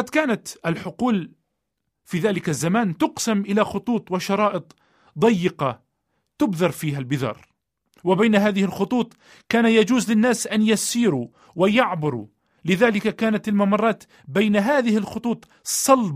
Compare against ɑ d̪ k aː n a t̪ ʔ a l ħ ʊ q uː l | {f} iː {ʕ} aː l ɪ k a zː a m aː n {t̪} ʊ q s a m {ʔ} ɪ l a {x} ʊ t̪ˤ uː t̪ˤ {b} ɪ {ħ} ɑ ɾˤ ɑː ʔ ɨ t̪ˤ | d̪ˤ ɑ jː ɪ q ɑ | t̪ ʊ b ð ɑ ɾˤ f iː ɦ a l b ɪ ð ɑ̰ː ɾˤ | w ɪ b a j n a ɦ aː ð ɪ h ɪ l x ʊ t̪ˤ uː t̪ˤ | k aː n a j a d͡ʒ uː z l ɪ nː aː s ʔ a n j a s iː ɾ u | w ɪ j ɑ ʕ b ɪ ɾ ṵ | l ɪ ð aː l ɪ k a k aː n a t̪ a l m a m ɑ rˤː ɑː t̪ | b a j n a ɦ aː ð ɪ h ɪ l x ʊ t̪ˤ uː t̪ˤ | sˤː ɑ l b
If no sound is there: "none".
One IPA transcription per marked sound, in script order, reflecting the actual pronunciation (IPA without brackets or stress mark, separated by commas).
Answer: f, ð, t̪, ʔ, x, w, ʃ